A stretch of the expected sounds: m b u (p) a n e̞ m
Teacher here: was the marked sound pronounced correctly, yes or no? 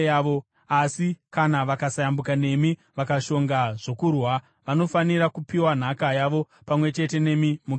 no